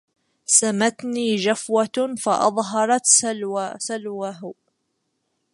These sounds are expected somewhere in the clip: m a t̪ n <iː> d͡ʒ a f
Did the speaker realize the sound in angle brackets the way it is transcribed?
yes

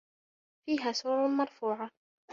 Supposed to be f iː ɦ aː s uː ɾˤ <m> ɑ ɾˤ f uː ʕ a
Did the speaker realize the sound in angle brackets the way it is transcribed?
yes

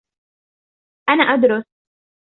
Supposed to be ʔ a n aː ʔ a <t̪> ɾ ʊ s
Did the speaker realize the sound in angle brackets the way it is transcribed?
no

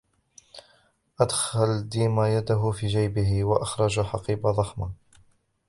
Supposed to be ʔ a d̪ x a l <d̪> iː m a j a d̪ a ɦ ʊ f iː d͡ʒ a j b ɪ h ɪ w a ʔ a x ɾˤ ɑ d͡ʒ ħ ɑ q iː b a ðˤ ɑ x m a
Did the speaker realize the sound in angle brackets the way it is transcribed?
yes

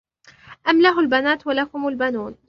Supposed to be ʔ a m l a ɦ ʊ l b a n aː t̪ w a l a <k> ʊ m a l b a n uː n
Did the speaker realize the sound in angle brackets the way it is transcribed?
yes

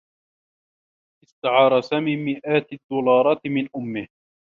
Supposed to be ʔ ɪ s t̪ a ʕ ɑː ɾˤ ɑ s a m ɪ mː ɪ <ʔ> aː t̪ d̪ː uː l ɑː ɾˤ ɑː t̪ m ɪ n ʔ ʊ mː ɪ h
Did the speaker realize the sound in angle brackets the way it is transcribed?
yes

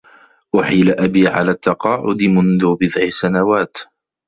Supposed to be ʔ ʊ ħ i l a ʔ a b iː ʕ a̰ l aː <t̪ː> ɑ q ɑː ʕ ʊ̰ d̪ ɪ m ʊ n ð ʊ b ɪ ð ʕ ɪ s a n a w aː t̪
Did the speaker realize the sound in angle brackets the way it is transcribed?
yes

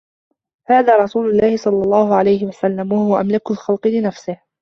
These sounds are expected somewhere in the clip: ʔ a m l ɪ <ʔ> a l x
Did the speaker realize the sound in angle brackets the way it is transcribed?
no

